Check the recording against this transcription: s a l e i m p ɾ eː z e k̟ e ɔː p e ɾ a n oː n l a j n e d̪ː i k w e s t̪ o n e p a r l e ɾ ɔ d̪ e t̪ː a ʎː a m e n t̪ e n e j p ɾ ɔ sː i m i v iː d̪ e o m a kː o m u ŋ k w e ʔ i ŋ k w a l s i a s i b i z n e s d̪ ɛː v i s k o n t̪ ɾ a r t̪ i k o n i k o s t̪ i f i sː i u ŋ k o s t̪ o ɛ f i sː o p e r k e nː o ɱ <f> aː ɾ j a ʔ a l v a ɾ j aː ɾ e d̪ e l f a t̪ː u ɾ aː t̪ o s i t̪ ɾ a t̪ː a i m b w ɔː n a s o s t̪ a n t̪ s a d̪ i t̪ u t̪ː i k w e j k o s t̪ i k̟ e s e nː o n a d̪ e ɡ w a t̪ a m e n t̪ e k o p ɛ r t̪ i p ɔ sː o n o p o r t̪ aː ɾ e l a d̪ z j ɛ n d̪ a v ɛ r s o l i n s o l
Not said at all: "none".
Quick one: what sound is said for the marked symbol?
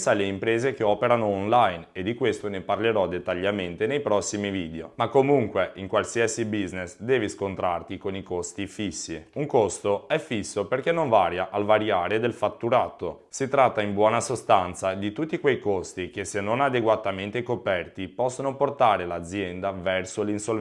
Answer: v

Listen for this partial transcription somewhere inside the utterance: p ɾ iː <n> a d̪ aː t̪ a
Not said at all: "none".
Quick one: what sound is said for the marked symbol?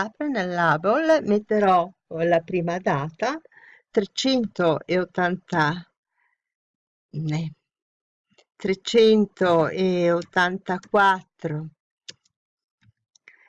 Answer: m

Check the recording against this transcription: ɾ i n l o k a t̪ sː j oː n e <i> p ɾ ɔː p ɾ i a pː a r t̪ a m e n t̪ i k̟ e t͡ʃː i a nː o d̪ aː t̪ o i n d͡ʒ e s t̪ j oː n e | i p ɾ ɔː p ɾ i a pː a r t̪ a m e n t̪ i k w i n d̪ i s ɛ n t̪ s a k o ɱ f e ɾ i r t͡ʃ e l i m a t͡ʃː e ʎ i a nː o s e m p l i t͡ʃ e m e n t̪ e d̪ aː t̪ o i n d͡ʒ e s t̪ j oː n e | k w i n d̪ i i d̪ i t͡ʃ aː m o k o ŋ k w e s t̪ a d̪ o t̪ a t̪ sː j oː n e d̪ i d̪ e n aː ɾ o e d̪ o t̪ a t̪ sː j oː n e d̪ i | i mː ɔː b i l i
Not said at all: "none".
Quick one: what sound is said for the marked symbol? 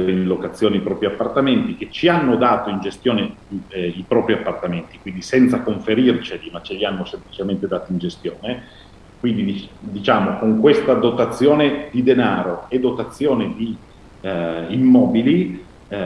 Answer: i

